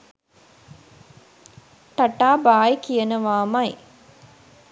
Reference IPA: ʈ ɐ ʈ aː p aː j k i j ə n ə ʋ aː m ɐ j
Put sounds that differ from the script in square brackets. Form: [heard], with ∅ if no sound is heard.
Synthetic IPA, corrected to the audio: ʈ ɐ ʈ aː [b] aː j k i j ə n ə ʋ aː m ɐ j